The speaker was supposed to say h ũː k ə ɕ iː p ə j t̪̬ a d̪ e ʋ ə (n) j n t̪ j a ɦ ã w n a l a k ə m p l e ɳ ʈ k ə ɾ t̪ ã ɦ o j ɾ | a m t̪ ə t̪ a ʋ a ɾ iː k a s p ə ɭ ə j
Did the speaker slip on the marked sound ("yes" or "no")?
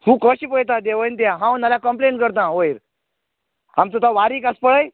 yes